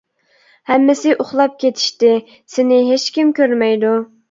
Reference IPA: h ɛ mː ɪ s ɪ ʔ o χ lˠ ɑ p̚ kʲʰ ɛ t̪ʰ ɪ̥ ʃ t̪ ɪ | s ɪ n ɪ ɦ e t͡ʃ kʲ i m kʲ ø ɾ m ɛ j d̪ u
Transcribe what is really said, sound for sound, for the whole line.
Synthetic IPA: h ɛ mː ɪ s ɪ ʔ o χ lˠ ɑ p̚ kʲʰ e t̪ʰ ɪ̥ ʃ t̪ ɪ | s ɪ n ɪ ɦ e t͡ʃ kʲ i m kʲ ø ɾ m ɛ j d̪ u